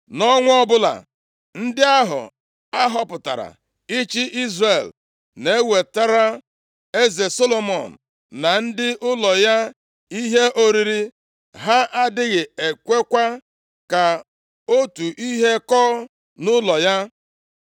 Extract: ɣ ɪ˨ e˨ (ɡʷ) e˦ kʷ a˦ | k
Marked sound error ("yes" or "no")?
yes